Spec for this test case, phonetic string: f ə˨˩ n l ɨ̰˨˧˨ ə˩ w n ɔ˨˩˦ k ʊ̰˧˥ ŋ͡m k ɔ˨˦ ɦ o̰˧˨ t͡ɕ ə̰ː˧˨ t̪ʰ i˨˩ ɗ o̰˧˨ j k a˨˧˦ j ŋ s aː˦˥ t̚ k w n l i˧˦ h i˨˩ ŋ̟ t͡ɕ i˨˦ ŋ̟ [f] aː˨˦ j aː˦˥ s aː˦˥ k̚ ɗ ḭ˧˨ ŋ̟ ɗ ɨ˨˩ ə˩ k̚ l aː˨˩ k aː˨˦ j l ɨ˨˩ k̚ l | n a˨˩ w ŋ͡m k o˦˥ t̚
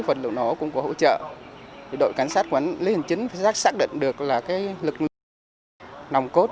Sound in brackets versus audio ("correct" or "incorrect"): correct